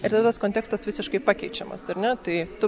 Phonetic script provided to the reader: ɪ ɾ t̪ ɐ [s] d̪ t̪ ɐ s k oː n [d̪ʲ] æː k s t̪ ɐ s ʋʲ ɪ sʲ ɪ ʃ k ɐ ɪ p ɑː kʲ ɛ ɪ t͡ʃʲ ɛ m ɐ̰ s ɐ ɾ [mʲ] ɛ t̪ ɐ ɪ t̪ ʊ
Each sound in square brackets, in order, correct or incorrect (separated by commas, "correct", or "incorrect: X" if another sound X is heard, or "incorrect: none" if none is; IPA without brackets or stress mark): incorrect: none, incorrect: t̪ʲ, incorrect: nʲ